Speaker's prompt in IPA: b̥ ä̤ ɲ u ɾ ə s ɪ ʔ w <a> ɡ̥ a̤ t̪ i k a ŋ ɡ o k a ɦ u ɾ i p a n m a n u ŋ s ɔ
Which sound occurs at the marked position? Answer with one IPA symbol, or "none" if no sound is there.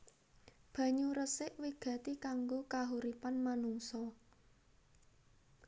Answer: i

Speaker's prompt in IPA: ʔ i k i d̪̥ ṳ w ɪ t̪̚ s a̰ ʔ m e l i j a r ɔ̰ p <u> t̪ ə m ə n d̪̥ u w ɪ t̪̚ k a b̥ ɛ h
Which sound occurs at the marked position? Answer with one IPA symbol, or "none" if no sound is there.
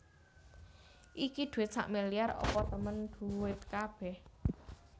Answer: ɔ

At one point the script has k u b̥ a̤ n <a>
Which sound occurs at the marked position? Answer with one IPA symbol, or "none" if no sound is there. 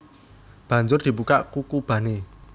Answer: e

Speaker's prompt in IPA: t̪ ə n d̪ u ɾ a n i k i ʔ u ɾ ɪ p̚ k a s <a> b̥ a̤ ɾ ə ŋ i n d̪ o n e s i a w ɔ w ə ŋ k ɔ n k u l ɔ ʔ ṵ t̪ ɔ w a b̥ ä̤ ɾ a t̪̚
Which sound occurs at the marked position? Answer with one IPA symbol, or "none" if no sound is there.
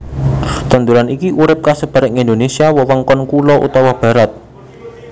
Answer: ə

